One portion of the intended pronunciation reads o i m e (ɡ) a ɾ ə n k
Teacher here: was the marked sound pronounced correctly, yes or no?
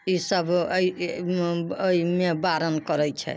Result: no